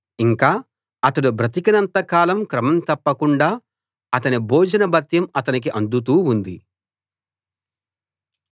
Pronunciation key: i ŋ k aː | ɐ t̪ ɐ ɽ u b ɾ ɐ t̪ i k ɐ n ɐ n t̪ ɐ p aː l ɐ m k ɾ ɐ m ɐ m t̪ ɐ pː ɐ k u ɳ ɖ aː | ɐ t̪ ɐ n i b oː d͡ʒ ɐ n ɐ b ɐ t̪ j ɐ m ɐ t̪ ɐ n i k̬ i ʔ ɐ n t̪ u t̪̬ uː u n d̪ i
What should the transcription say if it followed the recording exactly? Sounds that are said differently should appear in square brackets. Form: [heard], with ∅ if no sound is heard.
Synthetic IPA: i ŋ k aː | ɐ t̪ ɐ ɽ u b ɾ ɐ t̪ i k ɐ n ɐ n t̪ ɐ [k] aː l ɐ m k ɾ ɐ m ɐ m t̪ ɐ pː ɐ k u ɳ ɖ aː | ɐ t̪ ɐ n i b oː d͡ʒ ɐ n ɐ b ɐ t̪ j ɐ m ɐ t̪ ɐ n i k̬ i ʔ ɐ n [d̪] u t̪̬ uː u n d̪ i